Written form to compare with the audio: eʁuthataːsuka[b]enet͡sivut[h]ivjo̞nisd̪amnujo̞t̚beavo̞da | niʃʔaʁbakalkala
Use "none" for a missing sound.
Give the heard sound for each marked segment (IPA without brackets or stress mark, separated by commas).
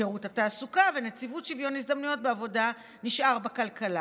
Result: v, ʃ